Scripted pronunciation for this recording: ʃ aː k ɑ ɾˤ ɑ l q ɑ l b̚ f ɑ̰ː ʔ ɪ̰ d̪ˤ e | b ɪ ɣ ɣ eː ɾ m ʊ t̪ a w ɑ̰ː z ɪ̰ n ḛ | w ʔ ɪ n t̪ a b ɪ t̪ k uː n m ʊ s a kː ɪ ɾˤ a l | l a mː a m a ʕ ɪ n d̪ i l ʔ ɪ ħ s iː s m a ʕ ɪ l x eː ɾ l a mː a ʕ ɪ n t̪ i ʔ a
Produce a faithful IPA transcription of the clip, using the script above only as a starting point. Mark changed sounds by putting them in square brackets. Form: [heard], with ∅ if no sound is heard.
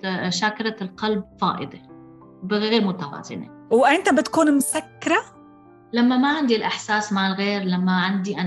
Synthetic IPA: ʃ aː k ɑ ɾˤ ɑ l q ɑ l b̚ f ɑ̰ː ʔ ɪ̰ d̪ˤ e | b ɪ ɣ ɣ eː ɾ m ʊ t̪ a w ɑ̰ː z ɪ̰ n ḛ | w ʔ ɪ n t̪ a b ɪ t̪ k uː n m ʊ s a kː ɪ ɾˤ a [∅] | l a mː a m a ʕ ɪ n d̪ i l ʔ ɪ ħ s [aː] s m a ʕ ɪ l [ɣ] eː ɾ l a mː a ʕ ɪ n [d̪] i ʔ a